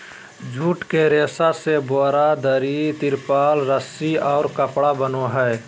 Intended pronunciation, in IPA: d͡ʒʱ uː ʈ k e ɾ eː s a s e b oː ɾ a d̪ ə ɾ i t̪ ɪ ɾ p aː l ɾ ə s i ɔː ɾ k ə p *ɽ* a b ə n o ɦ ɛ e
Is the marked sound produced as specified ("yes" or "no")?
yes